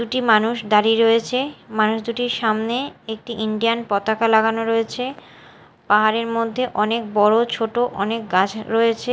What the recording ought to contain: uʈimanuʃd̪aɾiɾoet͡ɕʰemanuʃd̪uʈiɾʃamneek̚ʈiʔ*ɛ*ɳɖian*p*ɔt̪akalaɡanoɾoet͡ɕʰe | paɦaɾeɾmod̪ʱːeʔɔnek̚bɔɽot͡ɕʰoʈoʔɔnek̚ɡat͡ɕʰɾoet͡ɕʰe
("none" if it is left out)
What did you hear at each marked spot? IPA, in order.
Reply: i, p

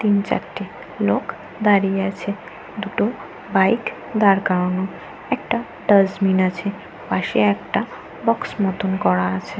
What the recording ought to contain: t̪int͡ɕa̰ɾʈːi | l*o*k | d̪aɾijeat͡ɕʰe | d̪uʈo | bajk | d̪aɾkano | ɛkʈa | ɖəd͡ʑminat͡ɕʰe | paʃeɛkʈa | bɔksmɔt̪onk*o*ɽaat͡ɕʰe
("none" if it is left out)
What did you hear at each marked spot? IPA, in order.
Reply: o, ɔ

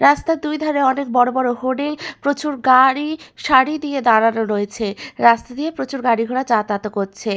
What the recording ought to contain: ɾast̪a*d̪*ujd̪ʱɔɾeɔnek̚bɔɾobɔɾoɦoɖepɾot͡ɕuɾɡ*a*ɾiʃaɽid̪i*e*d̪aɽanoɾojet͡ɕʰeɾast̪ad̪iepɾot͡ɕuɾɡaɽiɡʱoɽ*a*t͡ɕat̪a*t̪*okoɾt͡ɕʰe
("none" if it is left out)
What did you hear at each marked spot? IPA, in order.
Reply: d̪, a, e, a, t̪

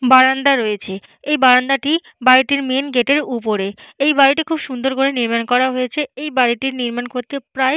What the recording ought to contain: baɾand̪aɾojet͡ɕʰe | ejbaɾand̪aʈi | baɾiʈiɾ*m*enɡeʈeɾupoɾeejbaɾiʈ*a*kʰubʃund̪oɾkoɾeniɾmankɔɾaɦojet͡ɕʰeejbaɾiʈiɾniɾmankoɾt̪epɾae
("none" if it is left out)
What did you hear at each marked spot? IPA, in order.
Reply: m, i

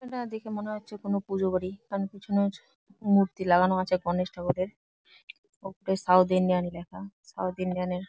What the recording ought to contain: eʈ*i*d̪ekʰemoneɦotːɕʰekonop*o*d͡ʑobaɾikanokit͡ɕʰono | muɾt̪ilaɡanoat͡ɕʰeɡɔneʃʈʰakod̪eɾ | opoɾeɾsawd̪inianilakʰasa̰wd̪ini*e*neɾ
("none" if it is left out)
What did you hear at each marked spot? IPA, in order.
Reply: a, u, a

